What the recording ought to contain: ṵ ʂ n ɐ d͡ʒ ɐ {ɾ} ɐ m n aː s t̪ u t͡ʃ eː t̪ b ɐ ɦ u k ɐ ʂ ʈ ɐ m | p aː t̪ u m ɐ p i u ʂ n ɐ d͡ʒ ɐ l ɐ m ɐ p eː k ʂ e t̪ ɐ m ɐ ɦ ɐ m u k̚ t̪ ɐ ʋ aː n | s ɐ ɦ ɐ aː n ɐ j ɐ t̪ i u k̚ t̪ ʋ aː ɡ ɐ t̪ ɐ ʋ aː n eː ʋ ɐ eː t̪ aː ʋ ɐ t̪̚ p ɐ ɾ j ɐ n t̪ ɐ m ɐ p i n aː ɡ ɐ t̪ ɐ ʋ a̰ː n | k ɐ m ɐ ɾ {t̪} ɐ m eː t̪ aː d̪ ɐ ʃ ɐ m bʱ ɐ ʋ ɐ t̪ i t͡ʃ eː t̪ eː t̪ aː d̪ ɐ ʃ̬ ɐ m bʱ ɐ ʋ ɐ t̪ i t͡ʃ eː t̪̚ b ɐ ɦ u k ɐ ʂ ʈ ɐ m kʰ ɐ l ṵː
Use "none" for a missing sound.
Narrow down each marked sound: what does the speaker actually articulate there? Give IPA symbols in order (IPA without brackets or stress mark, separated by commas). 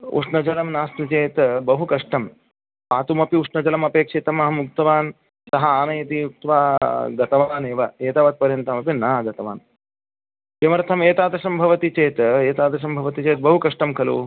l, t̪ʰ